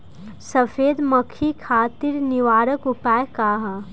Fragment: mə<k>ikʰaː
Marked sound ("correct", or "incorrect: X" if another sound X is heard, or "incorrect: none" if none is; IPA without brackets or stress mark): incorrect: kʰ